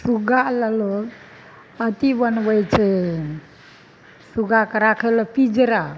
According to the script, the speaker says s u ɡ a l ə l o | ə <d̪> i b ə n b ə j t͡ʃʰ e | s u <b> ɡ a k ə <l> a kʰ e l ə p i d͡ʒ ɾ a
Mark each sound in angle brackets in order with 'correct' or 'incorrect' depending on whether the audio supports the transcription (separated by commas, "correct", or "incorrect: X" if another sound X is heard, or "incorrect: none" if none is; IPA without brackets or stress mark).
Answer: incorrect: t̪, incorrect: none, incorrect: ɾ